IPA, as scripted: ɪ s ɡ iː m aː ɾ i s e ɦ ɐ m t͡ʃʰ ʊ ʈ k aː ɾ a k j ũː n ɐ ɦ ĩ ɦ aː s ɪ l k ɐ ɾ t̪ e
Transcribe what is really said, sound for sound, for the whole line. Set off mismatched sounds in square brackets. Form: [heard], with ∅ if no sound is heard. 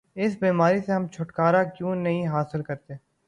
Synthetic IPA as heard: ɪ s [b] iː m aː ɾ i s e ɦ ɐ m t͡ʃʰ ʊ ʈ k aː ɾ a k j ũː n ɐ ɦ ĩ ɦ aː s ɪ l k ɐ ɾ t̪ e